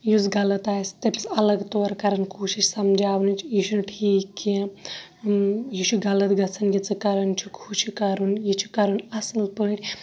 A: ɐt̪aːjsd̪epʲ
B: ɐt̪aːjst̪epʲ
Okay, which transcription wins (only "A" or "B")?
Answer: B